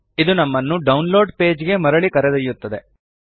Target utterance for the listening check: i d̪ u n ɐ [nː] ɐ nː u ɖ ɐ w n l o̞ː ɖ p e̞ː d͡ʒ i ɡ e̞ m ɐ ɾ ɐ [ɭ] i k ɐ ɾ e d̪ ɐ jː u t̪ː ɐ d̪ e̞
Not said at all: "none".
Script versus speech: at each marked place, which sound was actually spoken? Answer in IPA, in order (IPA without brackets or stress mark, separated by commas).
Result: mː, ɭ